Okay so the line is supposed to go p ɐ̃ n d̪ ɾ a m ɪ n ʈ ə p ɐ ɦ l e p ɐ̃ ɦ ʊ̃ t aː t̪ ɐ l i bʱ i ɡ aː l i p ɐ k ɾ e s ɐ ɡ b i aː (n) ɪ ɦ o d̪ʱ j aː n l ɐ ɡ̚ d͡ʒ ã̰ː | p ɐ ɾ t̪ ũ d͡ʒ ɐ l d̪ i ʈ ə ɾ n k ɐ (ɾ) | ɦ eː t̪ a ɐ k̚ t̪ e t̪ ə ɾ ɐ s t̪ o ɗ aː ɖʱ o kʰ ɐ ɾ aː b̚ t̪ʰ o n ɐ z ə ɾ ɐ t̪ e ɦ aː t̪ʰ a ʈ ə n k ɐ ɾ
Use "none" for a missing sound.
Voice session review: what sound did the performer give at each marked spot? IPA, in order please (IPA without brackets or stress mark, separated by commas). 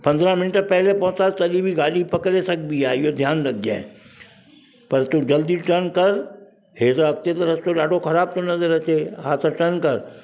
none, ɾ